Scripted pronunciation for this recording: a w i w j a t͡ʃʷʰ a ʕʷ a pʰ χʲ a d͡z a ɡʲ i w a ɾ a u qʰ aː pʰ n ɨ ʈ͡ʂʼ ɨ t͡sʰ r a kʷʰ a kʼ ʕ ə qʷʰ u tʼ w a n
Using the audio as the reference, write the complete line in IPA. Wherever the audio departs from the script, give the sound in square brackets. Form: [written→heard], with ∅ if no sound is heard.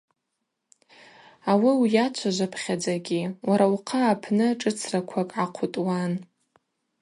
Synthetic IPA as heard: a w i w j a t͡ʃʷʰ a [ʕʷ→ʒʷ] a pʰ χʲ a d͡z a ɡʲ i w a ɾ a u qʰ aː pʰ n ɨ ʈ͡ʂʼ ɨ t͡sʰ r a kʷʰ a kʼ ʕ [ə→a] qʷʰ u tʼ w a n